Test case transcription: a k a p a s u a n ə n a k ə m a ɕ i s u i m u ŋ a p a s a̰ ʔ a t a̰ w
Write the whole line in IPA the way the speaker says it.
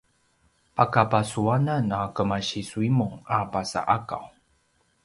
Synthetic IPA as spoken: a k a p a s u a n a n a k ə m a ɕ i s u i m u ŋ a p a s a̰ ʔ a k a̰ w